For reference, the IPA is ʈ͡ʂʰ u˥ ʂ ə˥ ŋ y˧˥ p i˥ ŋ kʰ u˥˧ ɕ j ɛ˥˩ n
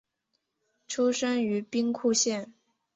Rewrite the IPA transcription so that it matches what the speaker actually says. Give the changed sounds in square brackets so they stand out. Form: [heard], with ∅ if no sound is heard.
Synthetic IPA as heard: ʈ͡ʂʰ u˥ ʂ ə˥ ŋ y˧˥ p i˥ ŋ kʰ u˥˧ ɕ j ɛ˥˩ n